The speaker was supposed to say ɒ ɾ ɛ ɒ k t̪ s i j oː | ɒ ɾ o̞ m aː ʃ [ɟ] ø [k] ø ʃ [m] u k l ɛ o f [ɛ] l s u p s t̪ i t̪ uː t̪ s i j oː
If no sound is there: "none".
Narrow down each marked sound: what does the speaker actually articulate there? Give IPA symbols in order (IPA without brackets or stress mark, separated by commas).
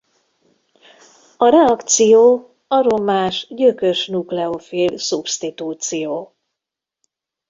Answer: ɟ, k, n, i